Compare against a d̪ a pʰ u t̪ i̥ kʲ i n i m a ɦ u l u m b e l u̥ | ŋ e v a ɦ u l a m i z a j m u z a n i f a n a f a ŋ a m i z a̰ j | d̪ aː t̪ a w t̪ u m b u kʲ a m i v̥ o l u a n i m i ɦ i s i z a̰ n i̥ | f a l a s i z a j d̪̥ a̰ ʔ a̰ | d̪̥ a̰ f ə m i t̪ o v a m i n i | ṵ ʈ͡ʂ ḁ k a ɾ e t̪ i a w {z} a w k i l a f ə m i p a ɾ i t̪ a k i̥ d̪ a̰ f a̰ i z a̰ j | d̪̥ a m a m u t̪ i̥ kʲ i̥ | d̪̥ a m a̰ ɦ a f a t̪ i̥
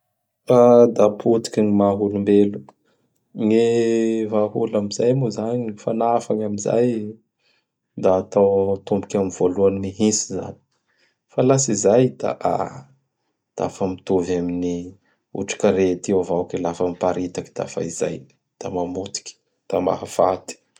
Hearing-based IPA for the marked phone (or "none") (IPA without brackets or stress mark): v